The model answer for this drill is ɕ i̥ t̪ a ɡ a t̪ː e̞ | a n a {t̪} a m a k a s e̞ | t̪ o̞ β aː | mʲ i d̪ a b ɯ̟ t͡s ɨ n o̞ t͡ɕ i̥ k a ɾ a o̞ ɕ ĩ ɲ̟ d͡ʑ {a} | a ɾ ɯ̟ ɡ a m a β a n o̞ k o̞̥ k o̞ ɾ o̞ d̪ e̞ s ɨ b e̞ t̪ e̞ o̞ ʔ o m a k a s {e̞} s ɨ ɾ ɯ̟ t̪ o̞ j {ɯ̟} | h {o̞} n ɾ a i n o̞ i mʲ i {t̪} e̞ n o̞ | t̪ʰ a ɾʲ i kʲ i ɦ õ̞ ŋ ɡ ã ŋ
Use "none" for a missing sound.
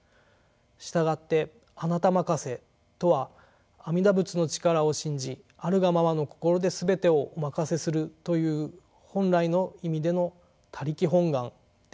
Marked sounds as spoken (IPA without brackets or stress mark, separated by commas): t̪, i, e̞, ɯ̟ː, õ̞, d̪